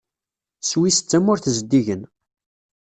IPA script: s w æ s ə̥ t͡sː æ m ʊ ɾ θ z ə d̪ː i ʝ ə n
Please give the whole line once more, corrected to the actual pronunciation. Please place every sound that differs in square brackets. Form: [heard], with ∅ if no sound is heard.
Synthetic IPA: s w [i] s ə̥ t͡sː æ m ʊ ɾ θ z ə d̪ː i ʝ ə n